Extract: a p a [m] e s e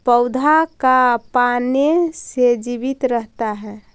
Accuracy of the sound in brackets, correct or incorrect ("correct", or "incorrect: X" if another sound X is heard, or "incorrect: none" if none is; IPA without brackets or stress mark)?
incorrect: n